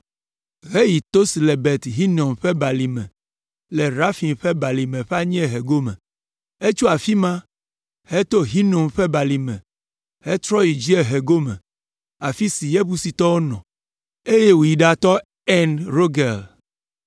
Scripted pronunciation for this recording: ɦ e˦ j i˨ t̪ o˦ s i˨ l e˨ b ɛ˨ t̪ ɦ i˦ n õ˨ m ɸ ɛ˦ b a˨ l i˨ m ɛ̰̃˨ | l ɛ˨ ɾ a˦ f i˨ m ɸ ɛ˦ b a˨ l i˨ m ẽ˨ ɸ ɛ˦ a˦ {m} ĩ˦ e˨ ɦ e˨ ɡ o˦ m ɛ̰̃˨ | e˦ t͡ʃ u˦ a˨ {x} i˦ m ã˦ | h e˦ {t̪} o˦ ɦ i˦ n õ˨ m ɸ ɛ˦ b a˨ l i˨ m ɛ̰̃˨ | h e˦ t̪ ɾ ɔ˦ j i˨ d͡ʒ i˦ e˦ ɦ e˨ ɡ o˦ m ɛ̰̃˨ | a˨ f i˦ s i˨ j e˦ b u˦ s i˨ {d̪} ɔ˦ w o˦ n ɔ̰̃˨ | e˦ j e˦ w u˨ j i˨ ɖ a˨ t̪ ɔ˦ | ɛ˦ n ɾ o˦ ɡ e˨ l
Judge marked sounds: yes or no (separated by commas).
no, no, yes, no